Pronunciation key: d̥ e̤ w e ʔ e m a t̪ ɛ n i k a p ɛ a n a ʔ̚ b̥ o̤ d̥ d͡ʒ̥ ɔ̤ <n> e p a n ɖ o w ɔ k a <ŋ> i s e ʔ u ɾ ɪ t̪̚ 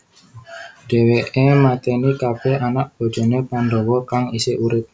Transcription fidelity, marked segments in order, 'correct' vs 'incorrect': correct, correct

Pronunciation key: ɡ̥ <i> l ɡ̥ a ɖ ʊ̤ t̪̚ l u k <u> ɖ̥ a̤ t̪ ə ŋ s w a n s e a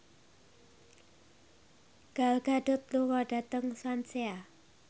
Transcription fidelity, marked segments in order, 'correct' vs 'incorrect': incorrect, incorrect

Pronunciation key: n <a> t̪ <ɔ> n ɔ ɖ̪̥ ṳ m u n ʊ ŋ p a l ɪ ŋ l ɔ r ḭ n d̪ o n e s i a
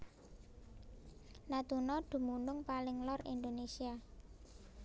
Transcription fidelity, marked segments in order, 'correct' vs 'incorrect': correct, incorrect

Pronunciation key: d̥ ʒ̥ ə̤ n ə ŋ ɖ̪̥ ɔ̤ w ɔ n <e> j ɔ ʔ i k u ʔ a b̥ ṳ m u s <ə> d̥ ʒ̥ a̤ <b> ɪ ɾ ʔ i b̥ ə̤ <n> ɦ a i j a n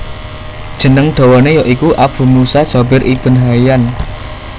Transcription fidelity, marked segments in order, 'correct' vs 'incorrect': correct, incorrect, correct, correct

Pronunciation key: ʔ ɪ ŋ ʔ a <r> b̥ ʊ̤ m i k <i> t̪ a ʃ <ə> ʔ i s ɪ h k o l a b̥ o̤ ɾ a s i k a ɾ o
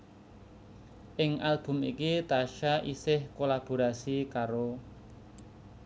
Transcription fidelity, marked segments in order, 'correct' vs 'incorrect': incorrect, correct, incorrect

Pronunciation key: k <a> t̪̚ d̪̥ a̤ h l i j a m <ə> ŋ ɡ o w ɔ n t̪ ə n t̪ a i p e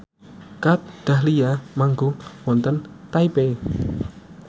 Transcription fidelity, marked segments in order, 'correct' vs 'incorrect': correct, incorrect

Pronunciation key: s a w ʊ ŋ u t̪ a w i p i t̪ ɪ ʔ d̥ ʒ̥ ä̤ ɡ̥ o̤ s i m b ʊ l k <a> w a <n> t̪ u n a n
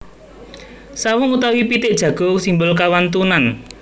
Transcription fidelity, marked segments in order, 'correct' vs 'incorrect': correct, correct

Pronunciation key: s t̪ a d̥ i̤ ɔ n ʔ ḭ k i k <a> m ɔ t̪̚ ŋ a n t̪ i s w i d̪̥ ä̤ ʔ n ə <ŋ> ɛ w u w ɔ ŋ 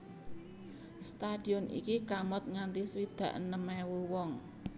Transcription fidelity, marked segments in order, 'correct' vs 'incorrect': correct, incorrect

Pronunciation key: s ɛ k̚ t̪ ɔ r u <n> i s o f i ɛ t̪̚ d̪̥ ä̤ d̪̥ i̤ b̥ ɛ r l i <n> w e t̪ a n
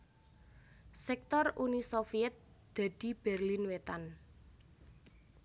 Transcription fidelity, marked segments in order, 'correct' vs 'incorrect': correct, correct

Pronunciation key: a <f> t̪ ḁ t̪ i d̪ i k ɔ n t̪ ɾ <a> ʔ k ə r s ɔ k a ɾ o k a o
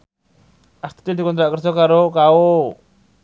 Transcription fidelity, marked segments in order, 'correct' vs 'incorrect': incorrect, correct

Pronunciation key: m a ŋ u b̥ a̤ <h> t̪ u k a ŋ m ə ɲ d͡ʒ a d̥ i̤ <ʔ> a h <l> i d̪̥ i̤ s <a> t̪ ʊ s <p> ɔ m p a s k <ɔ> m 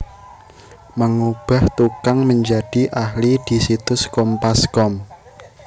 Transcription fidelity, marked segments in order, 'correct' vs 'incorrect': correct, correct, correct, incorrect, incorrect, correct

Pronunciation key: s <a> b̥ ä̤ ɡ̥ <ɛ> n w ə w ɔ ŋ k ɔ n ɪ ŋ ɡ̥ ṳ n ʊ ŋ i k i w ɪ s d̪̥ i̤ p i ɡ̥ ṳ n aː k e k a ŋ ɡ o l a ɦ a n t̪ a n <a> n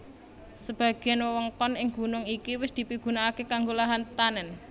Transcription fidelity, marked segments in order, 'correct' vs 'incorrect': incorrect, correct, incorrect

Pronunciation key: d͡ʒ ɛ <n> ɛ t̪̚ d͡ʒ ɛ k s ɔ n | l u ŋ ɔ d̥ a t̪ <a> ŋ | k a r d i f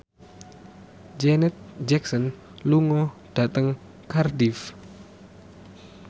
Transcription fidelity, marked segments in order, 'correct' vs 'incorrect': correct, incorrect

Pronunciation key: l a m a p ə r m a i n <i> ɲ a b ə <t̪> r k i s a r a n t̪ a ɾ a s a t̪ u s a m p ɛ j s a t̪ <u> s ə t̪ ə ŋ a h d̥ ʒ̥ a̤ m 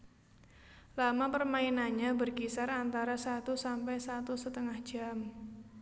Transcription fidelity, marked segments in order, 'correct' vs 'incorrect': incorrect, incorrect, correct

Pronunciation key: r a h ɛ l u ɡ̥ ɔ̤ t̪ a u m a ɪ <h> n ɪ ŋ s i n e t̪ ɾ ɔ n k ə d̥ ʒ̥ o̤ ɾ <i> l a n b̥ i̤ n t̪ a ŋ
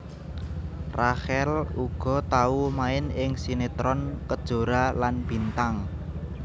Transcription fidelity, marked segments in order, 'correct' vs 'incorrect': incorrect, incorrect

